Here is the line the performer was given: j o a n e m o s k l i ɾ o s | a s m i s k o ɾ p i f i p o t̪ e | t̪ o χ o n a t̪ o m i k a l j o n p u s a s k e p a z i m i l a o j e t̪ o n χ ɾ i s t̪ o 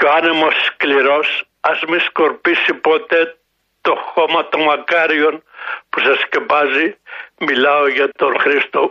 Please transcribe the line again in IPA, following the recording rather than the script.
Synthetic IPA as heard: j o a n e m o s k l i ɾ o s | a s m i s k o ɾ p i s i p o t̪ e | t̪ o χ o m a t̪ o m a k a ɾ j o n p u s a s k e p a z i m i l a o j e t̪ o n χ ɾ i s t̪ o